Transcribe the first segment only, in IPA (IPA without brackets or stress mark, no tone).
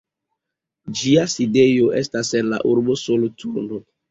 d͡ʒ